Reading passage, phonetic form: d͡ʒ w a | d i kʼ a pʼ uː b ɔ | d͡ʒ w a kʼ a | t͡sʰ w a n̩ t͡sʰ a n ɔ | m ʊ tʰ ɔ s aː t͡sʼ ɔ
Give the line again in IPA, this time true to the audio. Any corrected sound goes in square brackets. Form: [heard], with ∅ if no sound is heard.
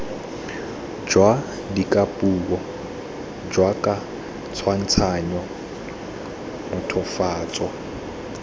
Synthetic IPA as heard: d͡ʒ w a | d i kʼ a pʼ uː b ɔ | d͡ʒ w a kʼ a | t͡sʰ w a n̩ t͡sʰ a [ɲ] ɔ | m ʊ tʰ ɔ [f] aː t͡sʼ ɔ

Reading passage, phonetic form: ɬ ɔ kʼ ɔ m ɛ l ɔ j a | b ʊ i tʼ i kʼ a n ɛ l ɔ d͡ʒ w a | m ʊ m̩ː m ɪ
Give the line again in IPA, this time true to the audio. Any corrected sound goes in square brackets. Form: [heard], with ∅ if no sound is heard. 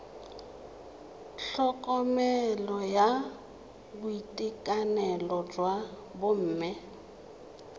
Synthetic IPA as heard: ɬ ɔ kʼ ɔ m ɛ l ɔ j a | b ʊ i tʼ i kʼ a n ɛ l ɔ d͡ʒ w a | [b] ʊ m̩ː m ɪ

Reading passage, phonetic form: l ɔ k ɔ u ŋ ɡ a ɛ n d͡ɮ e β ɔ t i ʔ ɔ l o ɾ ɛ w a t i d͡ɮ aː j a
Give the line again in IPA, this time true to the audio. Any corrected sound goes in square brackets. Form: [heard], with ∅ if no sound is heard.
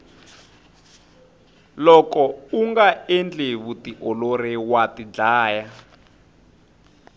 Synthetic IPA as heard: l ɔ k ɔ u ŋ ɡ a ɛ n d͡ɮ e β [u] t i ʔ ɔ l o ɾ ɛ w a t i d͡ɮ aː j a

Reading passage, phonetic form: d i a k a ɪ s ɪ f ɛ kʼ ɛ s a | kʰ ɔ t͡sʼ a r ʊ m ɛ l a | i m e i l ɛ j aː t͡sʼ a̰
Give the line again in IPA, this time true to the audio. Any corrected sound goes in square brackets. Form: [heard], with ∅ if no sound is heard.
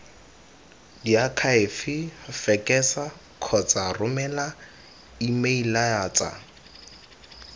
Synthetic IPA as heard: d i a [kʰ] a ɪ [f] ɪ f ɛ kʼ ɛ s a | kʰ ɔ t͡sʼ a r ʊ m ɛ l a | i m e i l [a] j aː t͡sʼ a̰

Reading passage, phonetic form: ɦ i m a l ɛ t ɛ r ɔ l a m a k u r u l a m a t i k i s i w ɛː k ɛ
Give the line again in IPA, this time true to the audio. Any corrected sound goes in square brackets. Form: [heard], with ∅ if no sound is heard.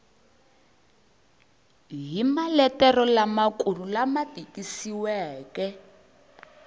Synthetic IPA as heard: ɦ i m a l ɛ t ɛ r ɔ l a m a k u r u l a m a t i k i s i w ɛː k ɛ

